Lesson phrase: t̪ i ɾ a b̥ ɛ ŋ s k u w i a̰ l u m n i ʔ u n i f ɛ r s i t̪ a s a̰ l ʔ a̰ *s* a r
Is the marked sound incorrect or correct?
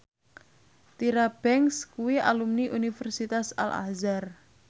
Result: incorrect